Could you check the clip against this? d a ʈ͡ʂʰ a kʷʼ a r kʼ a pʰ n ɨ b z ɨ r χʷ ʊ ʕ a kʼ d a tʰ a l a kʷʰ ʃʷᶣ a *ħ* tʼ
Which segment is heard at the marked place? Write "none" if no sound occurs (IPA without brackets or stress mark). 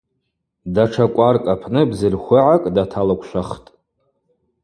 χ